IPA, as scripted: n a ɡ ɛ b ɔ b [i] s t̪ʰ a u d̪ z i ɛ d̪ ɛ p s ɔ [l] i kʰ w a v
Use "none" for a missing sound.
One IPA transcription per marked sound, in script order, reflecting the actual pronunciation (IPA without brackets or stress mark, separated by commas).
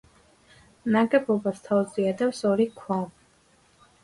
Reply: a, ɾ